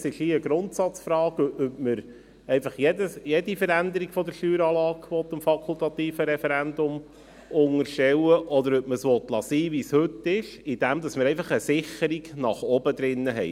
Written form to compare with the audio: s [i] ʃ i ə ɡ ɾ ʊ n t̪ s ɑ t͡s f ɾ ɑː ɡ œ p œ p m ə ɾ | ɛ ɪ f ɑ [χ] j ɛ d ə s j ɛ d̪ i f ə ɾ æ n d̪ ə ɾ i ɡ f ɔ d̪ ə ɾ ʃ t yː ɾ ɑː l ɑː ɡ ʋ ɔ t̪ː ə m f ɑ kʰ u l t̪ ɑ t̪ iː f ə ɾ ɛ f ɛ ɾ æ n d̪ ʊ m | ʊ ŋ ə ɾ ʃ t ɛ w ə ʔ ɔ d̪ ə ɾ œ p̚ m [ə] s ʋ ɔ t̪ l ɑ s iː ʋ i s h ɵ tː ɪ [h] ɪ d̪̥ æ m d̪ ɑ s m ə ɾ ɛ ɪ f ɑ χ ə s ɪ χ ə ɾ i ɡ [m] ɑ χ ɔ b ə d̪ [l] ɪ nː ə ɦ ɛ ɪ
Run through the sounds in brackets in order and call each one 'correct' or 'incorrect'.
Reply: incorrect: ɪ, correct, correct, incorrect: ʃ, incorrect: n, incorrect: ɾ

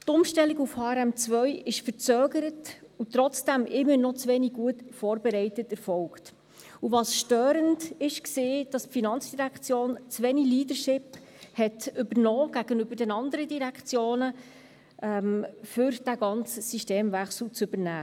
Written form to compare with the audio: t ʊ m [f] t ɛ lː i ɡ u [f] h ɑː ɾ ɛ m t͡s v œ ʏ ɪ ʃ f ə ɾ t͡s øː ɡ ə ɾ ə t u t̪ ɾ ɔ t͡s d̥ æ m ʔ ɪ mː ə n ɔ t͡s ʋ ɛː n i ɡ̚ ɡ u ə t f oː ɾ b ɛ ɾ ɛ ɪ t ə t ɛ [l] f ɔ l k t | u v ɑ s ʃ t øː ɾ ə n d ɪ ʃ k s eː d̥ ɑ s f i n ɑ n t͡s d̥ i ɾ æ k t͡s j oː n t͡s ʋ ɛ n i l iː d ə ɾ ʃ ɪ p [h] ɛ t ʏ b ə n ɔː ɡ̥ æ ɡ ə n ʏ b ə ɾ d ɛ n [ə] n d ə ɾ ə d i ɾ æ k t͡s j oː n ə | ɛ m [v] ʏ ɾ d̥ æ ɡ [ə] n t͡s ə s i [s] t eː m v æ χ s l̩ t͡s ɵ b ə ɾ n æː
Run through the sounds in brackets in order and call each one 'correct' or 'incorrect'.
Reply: incorrect: ʃ, correct, incorrect: ɾ, correct, incorrect: ɑ, incorrect: f, incorrect: ɑ, incorrect: ʃ

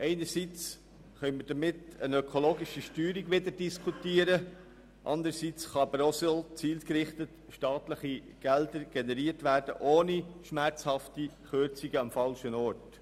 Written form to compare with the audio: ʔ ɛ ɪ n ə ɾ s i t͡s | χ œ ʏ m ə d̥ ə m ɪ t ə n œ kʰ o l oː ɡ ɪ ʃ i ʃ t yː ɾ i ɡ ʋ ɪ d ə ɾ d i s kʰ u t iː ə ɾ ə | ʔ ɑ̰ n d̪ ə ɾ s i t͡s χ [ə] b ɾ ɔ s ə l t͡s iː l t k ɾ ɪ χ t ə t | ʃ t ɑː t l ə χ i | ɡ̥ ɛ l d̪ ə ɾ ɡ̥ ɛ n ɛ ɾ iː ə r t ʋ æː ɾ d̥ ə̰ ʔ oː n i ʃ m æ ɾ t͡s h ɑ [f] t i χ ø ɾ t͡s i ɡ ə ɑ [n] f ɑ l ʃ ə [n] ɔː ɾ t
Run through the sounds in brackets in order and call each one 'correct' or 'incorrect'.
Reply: incorrect: ɑ, correct, incorrect: m, correct

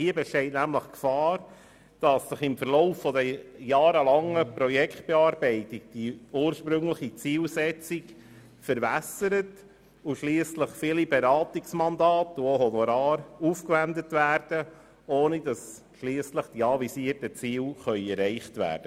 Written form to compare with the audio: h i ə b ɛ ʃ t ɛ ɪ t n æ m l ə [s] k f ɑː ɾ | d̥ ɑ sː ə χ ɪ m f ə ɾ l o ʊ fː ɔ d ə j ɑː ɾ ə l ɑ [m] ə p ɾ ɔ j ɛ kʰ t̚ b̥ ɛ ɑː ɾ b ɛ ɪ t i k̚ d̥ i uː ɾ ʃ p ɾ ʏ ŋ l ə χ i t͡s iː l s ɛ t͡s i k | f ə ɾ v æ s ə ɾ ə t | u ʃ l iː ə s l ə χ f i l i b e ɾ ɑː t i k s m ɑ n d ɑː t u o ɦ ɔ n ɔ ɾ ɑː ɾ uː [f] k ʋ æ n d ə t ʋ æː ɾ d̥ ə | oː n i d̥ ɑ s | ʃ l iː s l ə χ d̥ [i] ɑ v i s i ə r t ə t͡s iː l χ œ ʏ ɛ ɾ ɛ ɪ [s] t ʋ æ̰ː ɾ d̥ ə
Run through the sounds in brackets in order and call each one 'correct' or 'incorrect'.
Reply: incorrect: χ, incorrect: ŋ, correct, correct, incorrect: χ

